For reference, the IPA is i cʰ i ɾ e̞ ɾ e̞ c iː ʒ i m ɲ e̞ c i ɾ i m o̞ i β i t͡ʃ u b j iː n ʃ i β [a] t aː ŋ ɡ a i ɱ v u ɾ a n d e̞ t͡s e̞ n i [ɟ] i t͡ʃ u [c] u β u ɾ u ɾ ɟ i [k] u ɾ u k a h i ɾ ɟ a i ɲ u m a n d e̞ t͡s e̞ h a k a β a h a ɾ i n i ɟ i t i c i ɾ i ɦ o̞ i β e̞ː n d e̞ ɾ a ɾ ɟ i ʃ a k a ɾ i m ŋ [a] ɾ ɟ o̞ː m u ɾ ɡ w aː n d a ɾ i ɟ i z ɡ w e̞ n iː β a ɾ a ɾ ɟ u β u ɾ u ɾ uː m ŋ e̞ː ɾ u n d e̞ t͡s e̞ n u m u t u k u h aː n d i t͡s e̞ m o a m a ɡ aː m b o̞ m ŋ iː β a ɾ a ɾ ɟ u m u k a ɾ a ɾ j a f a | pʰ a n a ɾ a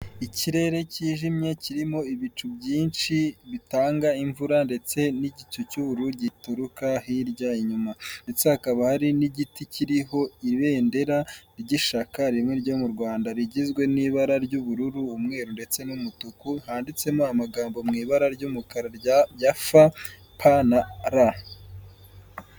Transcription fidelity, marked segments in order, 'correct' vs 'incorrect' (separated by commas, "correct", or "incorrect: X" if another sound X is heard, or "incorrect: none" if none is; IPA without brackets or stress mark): incorrect: i, correct, correct, incorrect: t, incorrect: e